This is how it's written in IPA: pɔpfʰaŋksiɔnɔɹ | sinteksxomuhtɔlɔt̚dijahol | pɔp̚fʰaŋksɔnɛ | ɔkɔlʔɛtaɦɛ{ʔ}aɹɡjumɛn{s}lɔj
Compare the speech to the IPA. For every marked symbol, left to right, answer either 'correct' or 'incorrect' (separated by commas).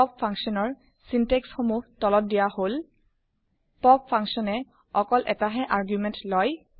correct, incorrect